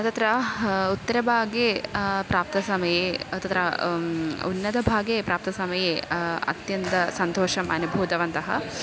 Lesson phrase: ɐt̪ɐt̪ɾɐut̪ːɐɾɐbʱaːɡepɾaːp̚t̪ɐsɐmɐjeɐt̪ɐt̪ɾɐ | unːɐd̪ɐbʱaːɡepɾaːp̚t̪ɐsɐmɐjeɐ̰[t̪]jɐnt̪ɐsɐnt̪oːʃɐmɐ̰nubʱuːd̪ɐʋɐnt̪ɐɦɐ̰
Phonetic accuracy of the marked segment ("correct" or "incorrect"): correct